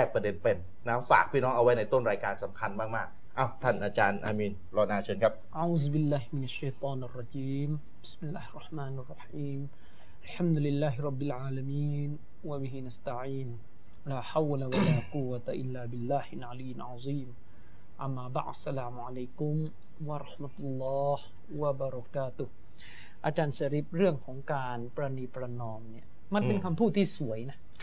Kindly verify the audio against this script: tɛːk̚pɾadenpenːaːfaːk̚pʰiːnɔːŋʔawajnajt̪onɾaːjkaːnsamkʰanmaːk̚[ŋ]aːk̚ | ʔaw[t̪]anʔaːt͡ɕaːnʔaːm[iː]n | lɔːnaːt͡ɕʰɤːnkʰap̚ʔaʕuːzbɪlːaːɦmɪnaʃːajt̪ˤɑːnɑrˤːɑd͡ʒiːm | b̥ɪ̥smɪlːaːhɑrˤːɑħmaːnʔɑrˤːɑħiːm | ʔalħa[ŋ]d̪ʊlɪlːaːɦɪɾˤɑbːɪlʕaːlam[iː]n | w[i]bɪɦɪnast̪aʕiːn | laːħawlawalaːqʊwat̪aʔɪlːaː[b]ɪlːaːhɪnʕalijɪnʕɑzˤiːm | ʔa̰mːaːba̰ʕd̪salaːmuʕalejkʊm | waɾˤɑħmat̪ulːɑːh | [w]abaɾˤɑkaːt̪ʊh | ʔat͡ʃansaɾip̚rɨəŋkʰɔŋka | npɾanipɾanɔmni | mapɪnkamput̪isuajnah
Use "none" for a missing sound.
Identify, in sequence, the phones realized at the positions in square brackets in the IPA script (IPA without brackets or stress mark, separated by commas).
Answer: m, t̪ʰ, iː, m, iː, a, b, w